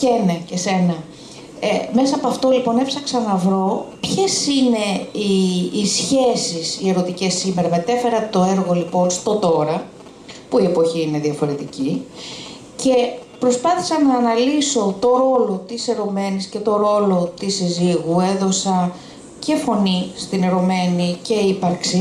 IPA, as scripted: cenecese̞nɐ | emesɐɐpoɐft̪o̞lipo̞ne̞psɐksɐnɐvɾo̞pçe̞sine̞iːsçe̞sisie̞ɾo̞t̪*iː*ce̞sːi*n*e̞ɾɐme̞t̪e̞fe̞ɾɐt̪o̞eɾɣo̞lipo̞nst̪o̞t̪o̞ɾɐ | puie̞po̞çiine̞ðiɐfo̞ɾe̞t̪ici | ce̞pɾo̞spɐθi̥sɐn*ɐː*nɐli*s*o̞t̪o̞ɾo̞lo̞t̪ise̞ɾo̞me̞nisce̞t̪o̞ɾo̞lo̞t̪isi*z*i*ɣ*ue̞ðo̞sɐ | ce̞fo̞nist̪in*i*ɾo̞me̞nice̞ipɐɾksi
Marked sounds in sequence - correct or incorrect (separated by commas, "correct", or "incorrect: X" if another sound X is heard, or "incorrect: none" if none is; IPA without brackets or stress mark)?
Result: incorrect: i, incorrect: m, correct, correct, correct, correct, incorrect: e